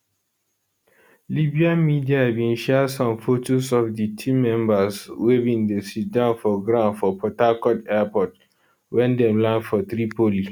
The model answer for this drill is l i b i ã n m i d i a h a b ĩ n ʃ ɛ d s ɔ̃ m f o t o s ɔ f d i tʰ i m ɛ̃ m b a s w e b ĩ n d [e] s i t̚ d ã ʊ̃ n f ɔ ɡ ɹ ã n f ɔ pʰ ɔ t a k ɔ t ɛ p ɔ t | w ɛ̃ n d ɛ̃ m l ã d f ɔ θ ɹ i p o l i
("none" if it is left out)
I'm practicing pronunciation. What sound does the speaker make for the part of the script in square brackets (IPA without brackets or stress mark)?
e